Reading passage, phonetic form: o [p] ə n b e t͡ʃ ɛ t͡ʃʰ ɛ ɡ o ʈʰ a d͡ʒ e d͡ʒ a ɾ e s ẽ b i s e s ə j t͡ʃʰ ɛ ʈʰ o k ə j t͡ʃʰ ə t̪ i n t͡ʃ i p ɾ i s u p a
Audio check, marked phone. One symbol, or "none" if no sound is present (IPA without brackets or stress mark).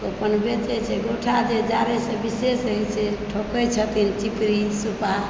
p